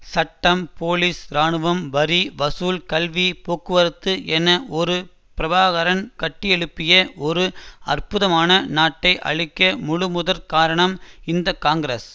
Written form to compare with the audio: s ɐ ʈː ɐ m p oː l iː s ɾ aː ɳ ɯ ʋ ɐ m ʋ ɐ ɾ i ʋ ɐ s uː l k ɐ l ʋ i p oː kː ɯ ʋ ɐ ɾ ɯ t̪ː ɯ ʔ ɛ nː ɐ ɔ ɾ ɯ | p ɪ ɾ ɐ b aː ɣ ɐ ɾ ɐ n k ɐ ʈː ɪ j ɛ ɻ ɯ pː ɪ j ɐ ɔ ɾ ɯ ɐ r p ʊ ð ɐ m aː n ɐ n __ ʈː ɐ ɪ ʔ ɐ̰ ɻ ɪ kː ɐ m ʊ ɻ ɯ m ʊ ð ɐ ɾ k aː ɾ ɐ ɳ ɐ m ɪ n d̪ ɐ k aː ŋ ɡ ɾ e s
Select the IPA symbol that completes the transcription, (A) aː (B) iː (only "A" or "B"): A